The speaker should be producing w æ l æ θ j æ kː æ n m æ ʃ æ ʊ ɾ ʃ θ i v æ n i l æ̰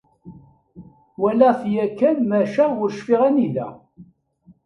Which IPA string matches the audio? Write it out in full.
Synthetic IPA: w æ l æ θ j æ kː æ n m æ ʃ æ ʊ ɾ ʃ f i ʁ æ n i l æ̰